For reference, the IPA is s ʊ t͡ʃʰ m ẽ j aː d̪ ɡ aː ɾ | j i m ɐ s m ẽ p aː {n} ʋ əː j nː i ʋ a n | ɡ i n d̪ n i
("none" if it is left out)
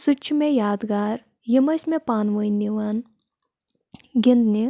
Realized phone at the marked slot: n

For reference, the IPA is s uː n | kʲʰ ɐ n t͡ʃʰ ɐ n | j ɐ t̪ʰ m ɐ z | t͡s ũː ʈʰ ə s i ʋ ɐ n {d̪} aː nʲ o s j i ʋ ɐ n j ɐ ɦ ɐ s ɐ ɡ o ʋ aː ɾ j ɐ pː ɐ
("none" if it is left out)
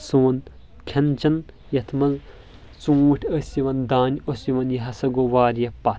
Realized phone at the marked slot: d̪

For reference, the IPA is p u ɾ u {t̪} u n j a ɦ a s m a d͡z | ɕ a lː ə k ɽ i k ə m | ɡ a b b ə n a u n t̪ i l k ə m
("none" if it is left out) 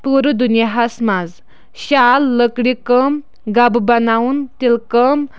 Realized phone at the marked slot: d̪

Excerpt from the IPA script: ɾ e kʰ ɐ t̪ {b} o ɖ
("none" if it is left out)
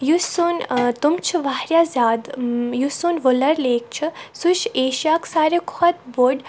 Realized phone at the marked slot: b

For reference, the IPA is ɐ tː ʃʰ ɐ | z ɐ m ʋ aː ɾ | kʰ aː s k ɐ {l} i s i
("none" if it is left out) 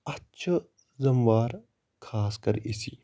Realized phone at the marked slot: ɾ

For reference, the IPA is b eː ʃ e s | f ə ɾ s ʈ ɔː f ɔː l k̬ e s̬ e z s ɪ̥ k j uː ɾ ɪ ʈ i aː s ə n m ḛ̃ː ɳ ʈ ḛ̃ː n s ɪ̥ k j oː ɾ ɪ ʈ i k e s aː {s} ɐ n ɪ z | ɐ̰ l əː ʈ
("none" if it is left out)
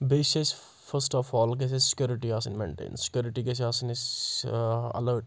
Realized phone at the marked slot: s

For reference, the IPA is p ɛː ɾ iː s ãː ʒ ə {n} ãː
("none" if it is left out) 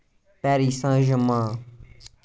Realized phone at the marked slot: m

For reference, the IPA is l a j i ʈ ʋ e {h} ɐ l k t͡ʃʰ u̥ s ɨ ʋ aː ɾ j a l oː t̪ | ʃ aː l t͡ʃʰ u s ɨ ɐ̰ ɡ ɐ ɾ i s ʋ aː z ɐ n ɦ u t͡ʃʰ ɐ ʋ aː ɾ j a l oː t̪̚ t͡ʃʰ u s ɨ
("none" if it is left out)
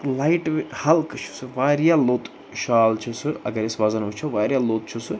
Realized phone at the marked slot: h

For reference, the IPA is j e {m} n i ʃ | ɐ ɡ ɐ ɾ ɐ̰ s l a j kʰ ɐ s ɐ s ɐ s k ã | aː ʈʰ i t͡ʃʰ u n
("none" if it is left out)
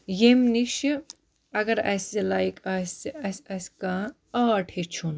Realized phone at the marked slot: m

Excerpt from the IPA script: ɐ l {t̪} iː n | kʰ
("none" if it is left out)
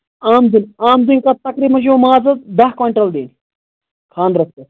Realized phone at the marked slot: d̪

